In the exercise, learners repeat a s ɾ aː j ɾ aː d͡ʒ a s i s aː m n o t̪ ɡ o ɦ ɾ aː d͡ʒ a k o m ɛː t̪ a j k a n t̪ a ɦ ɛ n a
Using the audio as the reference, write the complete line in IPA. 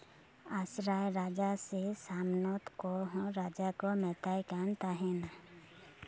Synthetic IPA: a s ɾ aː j ɾ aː d͡ʒ a s e s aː m n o t̪ k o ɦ ɾ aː d͡ʒ a k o m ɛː t̪ a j k a n t̪ a ɦ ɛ n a